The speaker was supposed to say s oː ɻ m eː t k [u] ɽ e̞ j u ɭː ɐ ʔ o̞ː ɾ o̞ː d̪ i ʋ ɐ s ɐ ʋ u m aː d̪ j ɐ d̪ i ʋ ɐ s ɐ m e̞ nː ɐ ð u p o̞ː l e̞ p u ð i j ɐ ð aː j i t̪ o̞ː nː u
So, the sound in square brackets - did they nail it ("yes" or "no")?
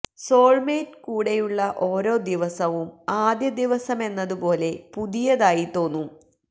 no